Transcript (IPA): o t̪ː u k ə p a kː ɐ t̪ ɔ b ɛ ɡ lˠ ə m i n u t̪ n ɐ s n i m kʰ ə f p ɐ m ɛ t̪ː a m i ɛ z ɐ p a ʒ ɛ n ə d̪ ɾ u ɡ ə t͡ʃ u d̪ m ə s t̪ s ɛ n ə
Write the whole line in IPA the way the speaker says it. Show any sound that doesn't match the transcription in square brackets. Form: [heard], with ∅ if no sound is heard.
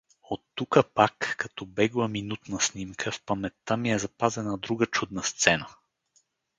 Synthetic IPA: o t̪ː u k ə p a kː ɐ t̪ ɔ b ɛ ɡ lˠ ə m i n u t̪ n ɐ s n i m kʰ ə f p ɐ m ɛ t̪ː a m i ɛ z ɐ p a [z] ɛ n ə d̪ ɾ u ɡ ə t͡ʃ u d̪ [n] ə s t̪ s ɛ n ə